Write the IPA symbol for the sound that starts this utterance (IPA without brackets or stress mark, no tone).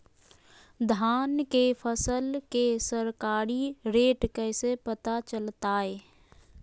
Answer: d̪ʱ